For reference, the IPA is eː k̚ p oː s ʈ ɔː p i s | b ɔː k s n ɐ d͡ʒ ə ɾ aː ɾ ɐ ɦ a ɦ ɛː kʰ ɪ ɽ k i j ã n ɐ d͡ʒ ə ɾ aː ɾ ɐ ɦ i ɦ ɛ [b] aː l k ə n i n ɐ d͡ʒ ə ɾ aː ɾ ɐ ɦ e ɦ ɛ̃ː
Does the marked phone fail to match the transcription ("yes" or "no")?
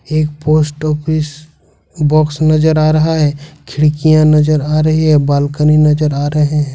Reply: no